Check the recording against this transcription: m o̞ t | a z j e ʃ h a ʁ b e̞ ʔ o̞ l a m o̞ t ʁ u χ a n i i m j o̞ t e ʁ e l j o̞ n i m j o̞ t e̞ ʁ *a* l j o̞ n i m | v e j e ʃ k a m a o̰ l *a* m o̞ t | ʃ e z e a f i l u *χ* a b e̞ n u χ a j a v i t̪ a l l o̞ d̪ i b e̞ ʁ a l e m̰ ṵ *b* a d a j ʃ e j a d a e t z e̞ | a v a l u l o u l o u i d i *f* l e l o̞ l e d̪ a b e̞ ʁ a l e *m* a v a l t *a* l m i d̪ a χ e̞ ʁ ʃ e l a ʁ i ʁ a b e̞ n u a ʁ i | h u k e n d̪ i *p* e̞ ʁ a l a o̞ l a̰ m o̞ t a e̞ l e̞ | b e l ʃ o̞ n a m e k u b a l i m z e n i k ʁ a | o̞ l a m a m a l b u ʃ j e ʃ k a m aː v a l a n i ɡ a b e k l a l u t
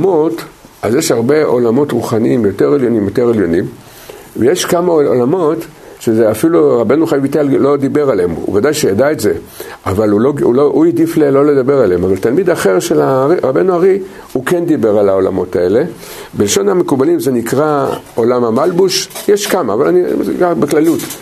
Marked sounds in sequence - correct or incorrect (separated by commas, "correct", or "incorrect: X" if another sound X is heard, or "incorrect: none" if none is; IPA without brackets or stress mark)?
incorrect: e, correct, incorrect: ʁ, incorrect: v, correct, correct, correct, incorrect: b